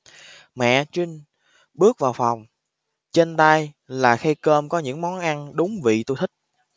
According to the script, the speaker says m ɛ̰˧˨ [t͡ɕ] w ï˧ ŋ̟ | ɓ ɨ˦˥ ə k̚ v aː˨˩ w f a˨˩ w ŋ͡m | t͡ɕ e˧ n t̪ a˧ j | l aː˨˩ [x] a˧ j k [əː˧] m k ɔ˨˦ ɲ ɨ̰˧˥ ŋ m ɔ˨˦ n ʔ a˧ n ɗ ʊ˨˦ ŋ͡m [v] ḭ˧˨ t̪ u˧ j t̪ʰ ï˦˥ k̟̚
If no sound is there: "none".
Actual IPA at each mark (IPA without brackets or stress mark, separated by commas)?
t͡ɕ, x, əː˧, v